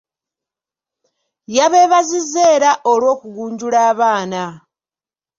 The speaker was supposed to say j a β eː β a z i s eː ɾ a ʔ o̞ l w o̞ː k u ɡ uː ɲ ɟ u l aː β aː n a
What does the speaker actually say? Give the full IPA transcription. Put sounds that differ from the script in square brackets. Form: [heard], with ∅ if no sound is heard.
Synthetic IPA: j a β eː β a z i [z] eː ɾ a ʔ o̞ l w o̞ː k u ɡ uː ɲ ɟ u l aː β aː n a

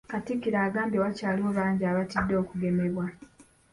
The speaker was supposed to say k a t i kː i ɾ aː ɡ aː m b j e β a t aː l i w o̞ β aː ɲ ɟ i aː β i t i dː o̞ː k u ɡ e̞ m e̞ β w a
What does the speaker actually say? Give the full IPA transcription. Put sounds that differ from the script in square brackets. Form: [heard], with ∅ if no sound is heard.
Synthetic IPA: k a t i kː i ɾ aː ɡ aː m b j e [w] a [c] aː l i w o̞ β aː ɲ ɟ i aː β [a] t i dː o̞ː k u ɡ e̞ m e̞ β w a

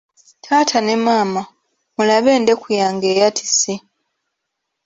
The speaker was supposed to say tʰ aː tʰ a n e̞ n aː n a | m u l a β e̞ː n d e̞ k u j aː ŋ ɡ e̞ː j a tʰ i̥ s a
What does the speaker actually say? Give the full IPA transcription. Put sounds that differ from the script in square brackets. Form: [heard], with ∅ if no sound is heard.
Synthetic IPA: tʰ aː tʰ a n e̞ [m] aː [m] a | m u l a β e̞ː n d e̞ k u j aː ŋ ɡ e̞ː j a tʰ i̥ s [i]

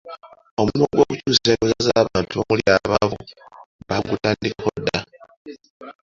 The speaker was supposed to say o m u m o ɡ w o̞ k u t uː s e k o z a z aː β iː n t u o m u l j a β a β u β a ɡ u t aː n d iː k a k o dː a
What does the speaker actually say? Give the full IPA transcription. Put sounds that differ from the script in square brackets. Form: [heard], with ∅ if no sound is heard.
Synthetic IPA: o m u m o ɡ w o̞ k u [c] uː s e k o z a z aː β [aː] n t u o m u l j a β a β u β a ɡ u t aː n d [i] k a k o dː a

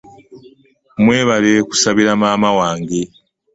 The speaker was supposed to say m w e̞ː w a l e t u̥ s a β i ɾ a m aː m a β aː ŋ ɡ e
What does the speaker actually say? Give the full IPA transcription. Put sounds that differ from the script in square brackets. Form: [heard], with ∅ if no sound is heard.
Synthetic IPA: m w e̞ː [β] a l e [k] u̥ s a β i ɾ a m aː m a [w] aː ŋ ɡ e

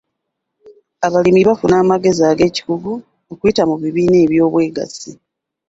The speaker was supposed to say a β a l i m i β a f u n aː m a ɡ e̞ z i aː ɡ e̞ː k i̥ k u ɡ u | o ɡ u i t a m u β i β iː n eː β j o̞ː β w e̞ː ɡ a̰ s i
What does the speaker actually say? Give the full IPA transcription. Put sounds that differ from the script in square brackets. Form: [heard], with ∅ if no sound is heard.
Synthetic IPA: a β a l i m i β a f u n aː m a ɡ e̞ z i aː ɡ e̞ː [c] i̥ k u ɡ u | o [k] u i t a m u β i β iː n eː β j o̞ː β w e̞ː ɡ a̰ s i

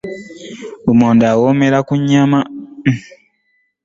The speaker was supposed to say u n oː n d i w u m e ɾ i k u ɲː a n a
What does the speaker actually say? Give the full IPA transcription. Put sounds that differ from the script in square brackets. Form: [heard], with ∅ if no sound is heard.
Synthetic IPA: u [m] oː n d [a] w [o] m e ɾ [a] k u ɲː a [m] a

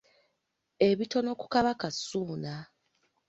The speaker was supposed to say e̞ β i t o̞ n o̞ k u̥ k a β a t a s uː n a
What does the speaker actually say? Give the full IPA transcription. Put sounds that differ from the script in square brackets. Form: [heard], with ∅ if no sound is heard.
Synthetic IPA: e̞ β i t o̞ n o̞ k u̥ k a β a [k] a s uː n a

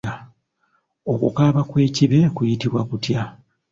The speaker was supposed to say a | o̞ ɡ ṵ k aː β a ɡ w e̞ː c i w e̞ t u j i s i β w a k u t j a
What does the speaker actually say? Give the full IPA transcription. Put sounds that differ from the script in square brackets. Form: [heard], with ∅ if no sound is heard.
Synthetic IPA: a | o̞ [k] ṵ k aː β a [k] w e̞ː c i [β] e̞ [k] u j i [t] i β w a k u t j a

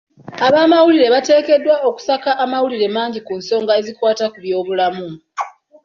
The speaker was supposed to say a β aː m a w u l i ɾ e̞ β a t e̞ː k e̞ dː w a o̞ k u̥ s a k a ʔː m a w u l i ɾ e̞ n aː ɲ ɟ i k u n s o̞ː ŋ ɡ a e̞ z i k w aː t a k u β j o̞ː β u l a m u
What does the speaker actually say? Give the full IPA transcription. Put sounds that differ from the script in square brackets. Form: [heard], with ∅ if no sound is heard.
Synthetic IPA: a β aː m a w u l i ɾ e̞ β a t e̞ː k e̞ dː w a o̞ k u̥ s a k a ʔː m a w u l i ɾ e̞ [m] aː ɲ ɟ i k u n s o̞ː ŋ ɡ a e̞ z i k w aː t a k u β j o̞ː β u l a m u

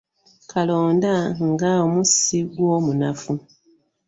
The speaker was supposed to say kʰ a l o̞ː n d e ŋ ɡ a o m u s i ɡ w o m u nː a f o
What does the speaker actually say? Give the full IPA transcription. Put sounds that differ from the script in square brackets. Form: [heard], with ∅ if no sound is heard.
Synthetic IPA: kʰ a l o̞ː n d [a] ŋ ɡ a o m u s i ɡ w o m u [n] a f [u]

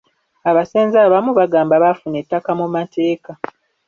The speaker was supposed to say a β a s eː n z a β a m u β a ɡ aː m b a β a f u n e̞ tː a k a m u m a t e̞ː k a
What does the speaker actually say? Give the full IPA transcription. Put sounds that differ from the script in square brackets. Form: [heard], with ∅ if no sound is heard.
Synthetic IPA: a β a s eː n z a β a m u β a ɡ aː m b a β a f u n e̞ tː a k a m u m a t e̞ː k a

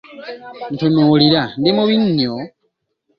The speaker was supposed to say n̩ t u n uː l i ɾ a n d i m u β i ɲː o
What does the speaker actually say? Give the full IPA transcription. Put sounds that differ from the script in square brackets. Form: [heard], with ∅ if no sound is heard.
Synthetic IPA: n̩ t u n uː l i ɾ a n d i m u β i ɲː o

